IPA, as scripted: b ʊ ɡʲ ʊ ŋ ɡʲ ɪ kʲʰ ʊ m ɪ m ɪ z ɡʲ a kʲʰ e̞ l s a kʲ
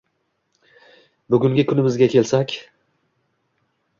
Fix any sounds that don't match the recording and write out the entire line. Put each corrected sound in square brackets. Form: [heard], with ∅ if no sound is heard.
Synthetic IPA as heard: b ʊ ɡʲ ʊ ŋ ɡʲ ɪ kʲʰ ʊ [n] ɪ m ɪ z ɡʲ a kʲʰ e̞ l s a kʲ